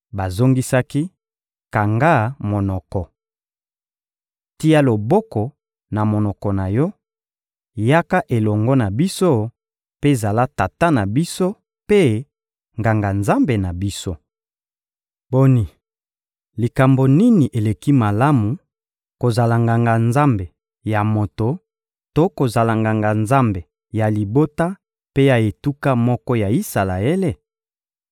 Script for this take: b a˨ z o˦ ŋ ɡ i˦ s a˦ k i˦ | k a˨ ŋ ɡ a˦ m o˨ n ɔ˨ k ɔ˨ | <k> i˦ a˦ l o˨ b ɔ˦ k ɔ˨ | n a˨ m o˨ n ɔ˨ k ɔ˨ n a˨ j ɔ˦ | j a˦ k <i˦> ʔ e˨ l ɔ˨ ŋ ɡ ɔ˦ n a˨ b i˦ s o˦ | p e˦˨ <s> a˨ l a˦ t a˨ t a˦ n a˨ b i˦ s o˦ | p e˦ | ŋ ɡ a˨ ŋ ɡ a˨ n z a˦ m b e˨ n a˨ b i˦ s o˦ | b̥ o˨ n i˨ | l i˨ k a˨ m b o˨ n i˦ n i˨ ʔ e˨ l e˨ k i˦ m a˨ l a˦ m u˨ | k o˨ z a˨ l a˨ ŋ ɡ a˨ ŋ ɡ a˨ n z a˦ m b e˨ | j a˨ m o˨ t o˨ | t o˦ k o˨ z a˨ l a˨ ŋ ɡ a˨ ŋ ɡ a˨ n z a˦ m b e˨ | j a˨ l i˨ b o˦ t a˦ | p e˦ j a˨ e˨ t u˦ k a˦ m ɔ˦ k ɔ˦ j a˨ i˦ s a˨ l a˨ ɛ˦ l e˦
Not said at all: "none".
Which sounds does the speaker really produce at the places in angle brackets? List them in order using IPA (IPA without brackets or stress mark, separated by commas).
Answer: t, a˦, z